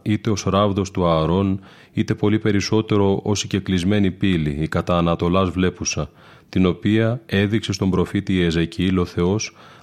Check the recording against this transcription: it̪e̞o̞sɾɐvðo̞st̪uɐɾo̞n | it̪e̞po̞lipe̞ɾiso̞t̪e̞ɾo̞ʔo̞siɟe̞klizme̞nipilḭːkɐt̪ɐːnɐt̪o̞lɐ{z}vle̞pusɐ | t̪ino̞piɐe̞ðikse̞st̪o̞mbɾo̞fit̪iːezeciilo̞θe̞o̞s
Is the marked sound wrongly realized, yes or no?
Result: no